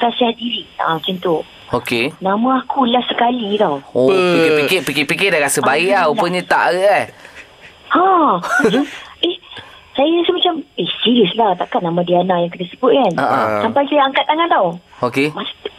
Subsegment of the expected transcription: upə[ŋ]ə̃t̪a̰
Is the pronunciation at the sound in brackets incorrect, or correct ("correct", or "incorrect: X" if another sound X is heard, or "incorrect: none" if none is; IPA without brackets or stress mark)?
incorrect: ɲ